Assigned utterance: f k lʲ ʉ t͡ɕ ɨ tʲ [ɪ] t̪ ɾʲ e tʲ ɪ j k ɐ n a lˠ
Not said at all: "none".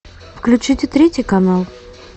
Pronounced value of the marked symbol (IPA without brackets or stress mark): ɪ